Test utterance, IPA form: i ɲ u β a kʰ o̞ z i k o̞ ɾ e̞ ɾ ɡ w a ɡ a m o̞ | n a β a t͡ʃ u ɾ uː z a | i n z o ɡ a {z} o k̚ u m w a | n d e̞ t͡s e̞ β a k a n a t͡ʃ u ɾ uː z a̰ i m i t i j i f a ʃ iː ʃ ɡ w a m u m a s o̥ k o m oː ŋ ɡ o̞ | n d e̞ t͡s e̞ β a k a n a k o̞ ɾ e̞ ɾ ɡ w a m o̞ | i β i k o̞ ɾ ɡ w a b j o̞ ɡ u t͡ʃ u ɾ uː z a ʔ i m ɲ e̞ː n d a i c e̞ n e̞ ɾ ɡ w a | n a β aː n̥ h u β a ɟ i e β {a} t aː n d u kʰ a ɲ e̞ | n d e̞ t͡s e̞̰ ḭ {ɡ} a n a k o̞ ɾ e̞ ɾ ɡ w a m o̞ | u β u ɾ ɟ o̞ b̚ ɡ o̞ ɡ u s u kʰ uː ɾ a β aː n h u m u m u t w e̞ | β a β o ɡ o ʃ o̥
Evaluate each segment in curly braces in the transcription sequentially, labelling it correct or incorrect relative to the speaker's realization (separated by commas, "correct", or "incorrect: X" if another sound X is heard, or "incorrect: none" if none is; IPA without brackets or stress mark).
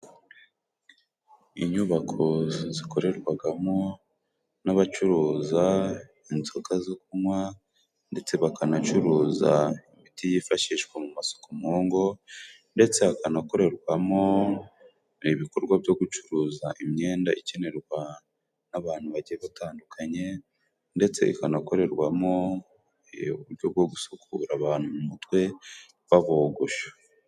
correct, correct, incorrect: k